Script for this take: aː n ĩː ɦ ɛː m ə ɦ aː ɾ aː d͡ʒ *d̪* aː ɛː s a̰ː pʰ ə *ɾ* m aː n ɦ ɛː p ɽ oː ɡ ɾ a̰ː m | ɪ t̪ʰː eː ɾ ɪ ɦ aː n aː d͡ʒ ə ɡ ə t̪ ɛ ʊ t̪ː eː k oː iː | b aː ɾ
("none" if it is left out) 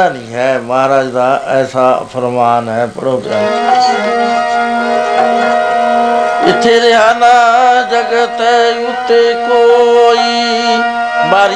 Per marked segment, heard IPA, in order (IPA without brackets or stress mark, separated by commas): d̪, ɾ